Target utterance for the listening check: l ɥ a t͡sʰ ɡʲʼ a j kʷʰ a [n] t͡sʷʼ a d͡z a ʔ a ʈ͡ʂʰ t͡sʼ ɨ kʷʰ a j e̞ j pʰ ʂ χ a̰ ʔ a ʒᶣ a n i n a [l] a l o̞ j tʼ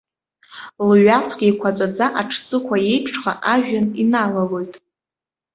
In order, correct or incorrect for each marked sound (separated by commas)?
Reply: incorrect, correct